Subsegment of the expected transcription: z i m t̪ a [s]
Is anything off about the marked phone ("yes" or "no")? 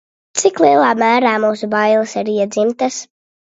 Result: no